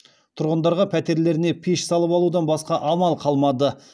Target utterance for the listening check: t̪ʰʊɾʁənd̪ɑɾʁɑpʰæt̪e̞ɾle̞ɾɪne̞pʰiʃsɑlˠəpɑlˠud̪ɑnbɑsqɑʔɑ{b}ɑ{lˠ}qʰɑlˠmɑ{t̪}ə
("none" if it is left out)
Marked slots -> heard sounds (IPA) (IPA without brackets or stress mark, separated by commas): m, lˠ, d̪